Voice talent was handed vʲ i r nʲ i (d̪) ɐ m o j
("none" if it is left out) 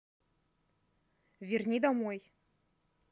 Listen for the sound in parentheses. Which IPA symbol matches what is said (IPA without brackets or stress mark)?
d̪